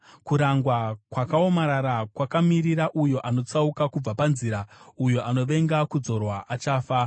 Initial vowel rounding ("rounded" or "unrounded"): rounded